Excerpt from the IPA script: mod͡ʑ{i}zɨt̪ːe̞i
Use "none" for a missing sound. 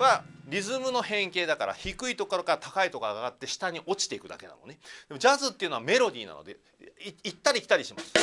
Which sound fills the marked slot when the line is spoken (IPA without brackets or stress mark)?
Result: a